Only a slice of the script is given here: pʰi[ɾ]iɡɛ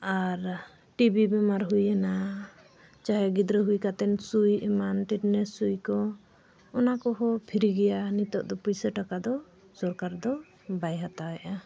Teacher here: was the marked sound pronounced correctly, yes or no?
yes